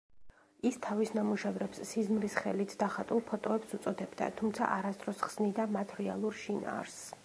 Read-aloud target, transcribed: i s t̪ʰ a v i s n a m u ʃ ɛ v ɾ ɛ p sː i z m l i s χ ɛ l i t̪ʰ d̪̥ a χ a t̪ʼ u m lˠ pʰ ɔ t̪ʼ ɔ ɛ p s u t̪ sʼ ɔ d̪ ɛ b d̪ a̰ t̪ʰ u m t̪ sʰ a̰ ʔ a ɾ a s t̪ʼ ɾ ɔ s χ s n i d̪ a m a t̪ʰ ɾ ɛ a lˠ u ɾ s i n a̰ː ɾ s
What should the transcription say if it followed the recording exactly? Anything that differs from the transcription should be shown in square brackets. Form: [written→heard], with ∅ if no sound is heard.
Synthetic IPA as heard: i s t̪ʰ a v i s n a m u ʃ ɛ v ɾ ɛ p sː i z m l i s χ ɛ l i t̪ʰ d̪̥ a χ a t̪ʼ u [m→∅] lˠ pʰ ɔ t̪ʼ ɔ ɛ p s u t̪ sʼ ɔ d̪ ɛ b d̪ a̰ t̪ʰ u m t̪ sʰ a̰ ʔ a ɾ a s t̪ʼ ɾ ɔ s χ s n i d̪ a m a t̪ʰ ɾ ɛ a lˠ u ɾ [s→ʃ] i n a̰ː ɾ s